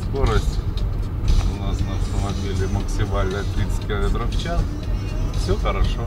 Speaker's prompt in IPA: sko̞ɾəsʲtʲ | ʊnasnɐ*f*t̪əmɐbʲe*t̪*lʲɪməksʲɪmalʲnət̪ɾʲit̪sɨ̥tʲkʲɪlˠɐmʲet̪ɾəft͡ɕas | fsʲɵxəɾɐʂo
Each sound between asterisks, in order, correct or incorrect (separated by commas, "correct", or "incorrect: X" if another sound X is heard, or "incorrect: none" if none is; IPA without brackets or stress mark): correct, incorrect: none